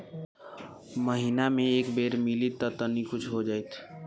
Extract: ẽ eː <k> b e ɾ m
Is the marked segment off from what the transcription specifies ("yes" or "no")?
no